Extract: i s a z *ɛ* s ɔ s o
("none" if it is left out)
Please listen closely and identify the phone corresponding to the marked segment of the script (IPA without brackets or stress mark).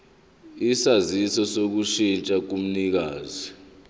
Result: i